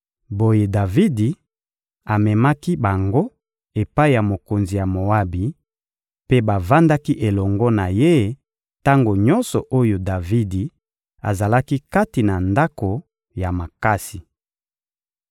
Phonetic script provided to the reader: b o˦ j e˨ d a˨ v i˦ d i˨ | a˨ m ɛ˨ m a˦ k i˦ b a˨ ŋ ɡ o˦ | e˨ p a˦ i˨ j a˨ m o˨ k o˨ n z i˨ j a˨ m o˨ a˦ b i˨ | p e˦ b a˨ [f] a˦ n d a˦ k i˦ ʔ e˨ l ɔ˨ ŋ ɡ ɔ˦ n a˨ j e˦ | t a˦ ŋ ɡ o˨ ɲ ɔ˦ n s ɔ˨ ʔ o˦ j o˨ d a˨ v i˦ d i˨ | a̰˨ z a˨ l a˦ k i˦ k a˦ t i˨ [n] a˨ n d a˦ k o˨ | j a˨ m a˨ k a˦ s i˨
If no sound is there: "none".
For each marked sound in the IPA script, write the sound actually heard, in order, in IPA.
v, n

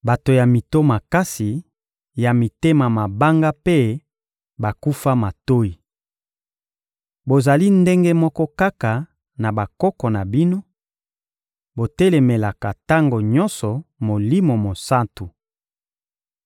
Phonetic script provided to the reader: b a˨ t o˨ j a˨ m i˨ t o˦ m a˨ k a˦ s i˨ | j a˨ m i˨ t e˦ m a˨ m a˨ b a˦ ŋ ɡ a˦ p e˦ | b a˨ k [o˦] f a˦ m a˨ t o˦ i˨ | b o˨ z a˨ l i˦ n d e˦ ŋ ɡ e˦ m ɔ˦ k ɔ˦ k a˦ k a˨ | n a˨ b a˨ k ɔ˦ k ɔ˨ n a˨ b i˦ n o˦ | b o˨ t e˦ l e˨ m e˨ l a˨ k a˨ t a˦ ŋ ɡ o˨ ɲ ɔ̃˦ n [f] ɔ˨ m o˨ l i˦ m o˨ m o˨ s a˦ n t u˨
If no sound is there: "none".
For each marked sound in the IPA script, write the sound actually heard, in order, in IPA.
u˦, s

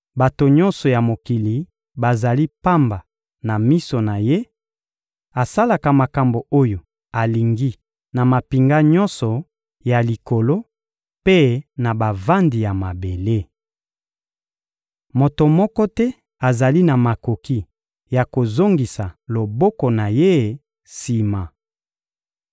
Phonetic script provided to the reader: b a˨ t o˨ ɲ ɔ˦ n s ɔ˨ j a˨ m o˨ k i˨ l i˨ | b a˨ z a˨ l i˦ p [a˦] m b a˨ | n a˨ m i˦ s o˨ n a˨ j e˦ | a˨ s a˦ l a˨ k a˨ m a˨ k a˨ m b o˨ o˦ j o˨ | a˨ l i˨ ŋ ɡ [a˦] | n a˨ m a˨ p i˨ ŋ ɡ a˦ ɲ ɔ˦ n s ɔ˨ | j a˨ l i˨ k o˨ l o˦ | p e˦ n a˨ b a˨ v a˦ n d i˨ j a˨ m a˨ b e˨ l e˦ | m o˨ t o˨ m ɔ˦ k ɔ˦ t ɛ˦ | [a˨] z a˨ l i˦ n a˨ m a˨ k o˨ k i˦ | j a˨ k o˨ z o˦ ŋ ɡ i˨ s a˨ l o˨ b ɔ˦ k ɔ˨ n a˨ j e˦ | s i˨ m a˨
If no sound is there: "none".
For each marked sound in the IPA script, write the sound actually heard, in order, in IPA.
a˦, i˦, a˨

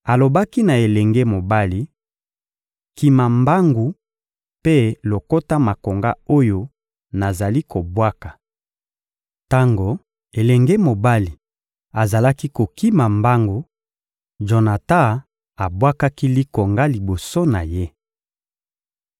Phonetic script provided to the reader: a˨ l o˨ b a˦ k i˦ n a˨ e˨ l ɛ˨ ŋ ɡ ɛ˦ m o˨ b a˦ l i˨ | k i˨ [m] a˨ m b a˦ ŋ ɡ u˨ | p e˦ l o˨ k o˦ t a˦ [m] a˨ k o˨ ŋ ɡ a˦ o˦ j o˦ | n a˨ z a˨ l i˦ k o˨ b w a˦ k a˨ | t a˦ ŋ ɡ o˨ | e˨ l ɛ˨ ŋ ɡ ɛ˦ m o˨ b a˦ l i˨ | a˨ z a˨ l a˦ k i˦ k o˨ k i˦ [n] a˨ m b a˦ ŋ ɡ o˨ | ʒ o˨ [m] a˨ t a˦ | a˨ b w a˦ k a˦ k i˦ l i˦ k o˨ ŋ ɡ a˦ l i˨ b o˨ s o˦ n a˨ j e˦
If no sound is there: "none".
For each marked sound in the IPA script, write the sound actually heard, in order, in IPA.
m, m, m, n

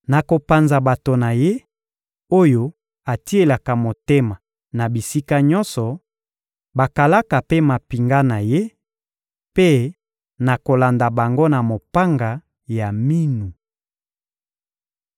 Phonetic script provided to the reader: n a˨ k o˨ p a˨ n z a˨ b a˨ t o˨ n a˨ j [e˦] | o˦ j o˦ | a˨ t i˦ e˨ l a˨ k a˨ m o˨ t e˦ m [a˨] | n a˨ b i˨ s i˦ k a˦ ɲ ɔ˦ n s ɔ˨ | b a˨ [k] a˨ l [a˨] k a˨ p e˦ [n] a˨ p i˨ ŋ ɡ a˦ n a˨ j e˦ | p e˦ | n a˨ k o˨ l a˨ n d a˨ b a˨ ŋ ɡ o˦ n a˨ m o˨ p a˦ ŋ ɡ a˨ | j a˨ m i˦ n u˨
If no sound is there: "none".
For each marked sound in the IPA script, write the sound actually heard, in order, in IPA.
e˦, a˨, k, a˦, m

